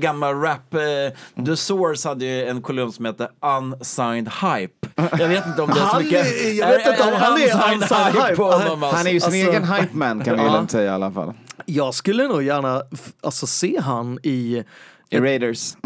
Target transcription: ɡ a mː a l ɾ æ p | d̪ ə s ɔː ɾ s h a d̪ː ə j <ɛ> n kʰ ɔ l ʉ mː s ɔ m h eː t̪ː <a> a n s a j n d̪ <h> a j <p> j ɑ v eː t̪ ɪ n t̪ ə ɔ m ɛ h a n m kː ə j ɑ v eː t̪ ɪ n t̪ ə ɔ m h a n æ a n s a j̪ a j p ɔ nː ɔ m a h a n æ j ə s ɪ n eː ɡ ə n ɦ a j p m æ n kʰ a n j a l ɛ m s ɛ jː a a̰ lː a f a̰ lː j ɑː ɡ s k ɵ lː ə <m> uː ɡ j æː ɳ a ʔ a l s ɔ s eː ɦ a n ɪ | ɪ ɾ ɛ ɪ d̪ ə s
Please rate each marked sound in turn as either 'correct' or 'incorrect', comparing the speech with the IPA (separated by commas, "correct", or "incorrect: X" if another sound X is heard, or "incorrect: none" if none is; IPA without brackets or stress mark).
correct, incorrect: ə, correct, correct, incorrect: n